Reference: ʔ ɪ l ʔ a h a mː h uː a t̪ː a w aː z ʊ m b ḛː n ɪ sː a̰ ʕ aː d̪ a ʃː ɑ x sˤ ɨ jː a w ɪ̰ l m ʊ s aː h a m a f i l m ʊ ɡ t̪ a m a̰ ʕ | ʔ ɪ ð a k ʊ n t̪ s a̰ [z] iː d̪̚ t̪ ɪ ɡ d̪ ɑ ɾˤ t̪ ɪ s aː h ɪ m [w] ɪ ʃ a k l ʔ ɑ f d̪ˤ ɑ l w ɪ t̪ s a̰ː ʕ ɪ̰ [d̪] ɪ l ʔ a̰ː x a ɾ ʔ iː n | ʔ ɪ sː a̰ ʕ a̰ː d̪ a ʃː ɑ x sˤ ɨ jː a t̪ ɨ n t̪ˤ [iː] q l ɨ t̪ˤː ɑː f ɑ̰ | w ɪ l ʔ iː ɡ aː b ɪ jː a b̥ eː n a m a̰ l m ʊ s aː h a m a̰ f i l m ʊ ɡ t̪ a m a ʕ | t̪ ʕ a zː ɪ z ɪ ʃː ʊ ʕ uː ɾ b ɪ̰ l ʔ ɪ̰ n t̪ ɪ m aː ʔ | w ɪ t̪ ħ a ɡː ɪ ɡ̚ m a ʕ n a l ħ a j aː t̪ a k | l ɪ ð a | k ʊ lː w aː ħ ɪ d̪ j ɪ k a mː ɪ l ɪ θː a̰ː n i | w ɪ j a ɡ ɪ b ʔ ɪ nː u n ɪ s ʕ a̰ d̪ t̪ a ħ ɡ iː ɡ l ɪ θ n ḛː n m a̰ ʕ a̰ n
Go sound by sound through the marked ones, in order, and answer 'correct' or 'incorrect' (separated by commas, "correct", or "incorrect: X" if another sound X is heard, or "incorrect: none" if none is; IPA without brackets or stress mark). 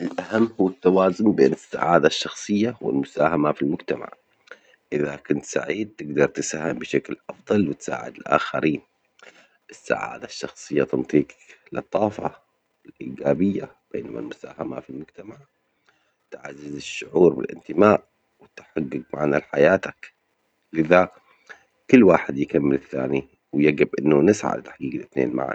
incorrect: ʕ, incorrect: b, correct, correct